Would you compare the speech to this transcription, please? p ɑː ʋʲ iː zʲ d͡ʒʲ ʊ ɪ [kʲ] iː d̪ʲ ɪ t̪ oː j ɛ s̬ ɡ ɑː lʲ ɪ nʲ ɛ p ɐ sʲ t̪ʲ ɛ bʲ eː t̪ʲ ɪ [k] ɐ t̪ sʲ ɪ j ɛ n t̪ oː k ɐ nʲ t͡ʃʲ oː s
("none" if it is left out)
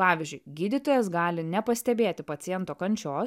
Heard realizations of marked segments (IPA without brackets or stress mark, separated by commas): ɡʲ, p